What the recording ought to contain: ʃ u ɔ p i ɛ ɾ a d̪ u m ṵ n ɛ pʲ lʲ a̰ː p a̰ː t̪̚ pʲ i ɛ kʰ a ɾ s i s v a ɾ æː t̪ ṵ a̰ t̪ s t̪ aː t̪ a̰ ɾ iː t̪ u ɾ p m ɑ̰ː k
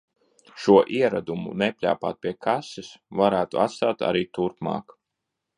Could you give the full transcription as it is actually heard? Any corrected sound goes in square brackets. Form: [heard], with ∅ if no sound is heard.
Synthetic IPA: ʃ u ɔ [ʔ] i ɛ ɾ a d̪ u m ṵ n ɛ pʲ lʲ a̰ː p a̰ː t̪̚ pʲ i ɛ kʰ a [∅] s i s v a ɾ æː t̪ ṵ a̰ t̪ s t̪ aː t̪ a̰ ɾ iː t̪ u ɾ p m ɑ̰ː k